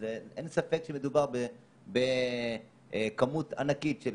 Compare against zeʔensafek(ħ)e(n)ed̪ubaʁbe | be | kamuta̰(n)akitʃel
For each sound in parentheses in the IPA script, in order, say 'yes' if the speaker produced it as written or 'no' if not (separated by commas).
no, no, yes